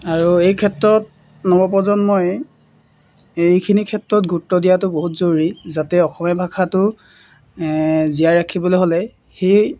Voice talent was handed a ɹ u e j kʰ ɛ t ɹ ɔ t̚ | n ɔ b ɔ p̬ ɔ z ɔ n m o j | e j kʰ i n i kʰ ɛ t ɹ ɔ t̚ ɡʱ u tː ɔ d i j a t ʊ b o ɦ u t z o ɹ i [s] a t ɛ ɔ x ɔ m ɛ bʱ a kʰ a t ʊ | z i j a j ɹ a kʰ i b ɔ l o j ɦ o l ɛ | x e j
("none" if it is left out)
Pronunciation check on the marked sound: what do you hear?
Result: z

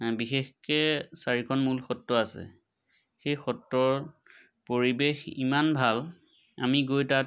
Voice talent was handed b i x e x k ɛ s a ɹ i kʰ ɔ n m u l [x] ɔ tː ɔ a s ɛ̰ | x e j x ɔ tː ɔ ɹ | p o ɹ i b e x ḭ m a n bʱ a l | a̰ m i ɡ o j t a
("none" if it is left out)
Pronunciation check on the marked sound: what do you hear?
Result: x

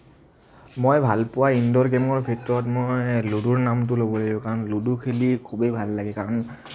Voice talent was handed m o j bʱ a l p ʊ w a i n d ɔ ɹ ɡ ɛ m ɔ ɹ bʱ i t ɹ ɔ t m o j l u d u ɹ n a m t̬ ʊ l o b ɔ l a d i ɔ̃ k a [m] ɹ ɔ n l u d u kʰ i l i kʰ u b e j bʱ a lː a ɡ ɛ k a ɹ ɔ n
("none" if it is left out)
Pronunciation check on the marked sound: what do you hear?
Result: none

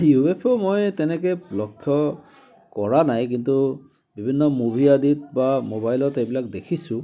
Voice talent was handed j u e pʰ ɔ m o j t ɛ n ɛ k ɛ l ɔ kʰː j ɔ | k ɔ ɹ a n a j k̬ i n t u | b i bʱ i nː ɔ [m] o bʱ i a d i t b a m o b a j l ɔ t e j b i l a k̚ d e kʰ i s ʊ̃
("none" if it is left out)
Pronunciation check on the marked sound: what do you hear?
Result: m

